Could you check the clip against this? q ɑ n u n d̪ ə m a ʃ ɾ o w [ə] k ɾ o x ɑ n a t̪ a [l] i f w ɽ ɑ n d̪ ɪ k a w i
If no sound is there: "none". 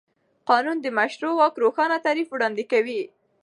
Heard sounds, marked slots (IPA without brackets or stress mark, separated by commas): ɑ, ɾ